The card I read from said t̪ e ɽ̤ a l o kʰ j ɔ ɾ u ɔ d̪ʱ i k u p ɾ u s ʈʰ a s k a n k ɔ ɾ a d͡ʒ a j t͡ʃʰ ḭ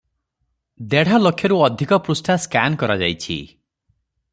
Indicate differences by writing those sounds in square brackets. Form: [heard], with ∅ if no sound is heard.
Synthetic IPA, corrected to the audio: [d̪] e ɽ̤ a l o kʰ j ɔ ɾ u ɔ d̪ʱ i k [ɔ] p ɾ u s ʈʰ a s k a n k ɔ ɾ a d͡ʒ a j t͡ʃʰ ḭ